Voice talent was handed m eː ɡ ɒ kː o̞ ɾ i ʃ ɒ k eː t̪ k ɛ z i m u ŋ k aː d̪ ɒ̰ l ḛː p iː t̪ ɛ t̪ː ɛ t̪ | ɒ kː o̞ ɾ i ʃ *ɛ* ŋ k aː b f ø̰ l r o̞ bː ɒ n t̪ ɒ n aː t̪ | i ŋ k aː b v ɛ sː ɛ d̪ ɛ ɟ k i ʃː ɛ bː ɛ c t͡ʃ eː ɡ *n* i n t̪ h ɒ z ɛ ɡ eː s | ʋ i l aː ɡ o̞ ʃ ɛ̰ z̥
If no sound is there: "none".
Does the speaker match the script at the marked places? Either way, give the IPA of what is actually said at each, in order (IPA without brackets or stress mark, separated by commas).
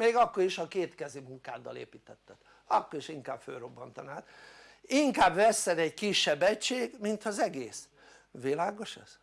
i, m